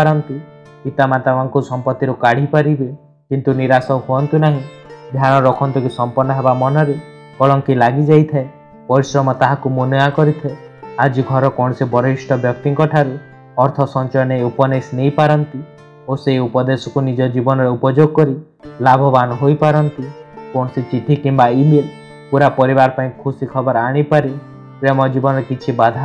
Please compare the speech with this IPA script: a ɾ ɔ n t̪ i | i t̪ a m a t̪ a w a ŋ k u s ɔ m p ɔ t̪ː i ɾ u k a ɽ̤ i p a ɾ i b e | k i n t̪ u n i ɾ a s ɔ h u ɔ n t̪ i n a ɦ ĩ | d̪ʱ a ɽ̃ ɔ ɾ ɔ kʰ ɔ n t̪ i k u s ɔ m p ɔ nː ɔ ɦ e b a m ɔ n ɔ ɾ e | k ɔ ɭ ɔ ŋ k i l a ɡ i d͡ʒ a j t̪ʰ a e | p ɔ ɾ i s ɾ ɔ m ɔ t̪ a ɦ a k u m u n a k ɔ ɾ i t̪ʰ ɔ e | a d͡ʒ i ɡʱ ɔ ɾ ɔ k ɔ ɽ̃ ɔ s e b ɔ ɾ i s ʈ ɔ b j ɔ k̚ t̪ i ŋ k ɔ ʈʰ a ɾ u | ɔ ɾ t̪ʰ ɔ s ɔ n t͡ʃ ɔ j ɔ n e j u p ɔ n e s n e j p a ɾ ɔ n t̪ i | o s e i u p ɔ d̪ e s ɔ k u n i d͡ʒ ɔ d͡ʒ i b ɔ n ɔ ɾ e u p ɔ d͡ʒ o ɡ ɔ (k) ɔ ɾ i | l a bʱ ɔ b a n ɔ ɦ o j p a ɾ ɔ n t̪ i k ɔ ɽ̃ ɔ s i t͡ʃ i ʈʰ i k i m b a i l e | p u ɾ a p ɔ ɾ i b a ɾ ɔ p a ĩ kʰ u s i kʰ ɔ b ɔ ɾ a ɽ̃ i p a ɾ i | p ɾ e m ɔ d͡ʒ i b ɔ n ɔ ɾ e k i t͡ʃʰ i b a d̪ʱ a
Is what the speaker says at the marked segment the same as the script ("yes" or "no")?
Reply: yes